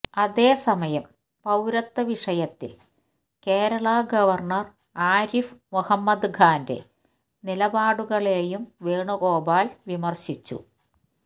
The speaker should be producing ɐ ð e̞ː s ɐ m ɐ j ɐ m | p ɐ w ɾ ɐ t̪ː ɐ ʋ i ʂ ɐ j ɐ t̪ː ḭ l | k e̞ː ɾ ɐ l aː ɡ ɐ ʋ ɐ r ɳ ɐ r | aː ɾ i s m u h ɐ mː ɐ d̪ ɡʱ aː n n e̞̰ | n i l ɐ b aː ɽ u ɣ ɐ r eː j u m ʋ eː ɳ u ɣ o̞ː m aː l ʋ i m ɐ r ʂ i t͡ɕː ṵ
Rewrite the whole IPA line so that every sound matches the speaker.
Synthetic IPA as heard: ɐ ð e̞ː s ɐ m ɐ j ɐ m | p ɐ w ɾ ɐ t̪ː ɐ ʋ i ʂ ɐ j ɐ t̪ː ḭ l | k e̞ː ɾ ɐ ɭ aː ɡ ɐ ʋ ɐ r ɳ ɐ r | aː ɾ i f m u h ɐ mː ɐ d̪ ɡʱ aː n d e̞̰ | n i l ɐ b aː ɽ u ɣ ɐ ɭ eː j u m ʋ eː ɳ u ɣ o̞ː b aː l ʋ i m ɐ r ɕ i t͡ɕː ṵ